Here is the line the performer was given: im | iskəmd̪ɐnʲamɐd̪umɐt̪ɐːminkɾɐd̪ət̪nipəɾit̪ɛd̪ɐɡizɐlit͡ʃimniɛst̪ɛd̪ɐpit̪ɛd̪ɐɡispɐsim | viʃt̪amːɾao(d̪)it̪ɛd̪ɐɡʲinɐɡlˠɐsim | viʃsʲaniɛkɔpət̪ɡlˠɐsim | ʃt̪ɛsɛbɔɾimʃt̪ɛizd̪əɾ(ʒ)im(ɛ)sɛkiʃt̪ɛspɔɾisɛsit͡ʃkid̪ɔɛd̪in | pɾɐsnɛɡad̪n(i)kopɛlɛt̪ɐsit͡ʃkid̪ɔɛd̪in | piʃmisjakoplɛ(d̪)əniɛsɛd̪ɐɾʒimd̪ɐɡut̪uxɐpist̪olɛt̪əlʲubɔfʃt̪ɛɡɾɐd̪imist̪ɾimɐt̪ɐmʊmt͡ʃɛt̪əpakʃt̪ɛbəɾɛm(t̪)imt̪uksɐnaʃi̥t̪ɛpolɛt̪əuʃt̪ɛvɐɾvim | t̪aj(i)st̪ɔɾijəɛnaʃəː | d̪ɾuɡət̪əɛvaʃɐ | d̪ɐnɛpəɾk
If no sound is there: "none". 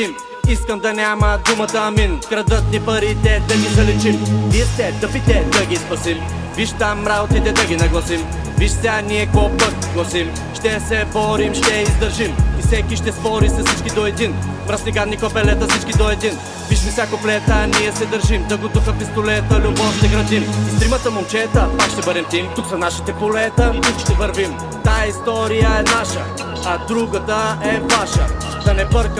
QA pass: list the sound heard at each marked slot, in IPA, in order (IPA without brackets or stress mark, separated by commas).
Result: t̪, ʒ, i, i, t̪, t̪, i